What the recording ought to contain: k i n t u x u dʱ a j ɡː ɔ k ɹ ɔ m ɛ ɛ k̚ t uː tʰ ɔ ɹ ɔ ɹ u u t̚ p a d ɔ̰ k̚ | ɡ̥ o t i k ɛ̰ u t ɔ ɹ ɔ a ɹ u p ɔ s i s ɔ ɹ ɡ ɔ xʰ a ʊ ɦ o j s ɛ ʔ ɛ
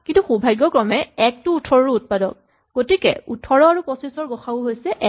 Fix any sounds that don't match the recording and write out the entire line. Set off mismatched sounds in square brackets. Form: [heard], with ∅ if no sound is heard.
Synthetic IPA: k i n t u x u [bʱ] a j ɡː ɔ k ɹ ɔ m ɛ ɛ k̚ t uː tʰ ɔ ɹ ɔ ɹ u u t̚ p a d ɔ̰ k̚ | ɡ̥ o t i k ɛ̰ u [tʰ] ɔ ɹ ɔ a ɹ u p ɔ s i s ɔ ɹ ɡ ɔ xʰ a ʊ ɦ o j s ɛ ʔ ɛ